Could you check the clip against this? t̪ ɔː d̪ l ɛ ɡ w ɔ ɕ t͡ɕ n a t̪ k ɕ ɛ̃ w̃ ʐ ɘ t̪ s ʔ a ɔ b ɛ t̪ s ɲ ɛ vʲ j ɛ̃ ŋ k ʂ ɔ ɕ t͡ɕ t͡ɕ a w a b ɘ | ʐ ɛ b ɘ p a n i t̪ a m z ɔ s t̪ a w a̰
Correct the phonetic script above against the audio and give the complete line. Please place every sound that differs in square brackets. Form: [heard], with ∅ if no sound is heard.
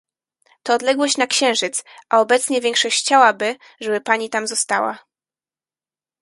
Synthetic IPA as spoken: t̪ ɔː d̪ l ɛ ɡ w ɔ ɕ t͡ɕ n a [∅] k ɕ ɛ̃ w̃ ʐ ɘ t̪ s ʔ a ɔ b ɛ t̪ s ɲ ɛ vʲ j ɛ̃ ŋ k ʂ ɔ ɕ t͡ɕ t͡ɕ a w a b ɘ | ʐ ɛ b ɘ p a [ɲ] i t̪ a m z ɔ s t̪ a w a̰